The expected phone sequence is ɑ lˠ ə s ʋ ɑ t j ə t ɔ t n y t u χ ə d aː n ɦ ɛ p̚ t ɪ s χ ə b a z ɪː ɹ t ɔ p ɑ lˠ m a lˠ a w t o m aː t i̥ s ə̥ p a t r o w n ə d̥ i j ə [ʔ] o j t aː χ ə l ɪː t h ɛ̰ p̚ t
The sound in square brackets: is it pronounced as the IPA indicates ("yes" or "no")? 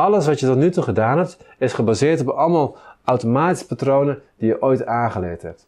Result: yes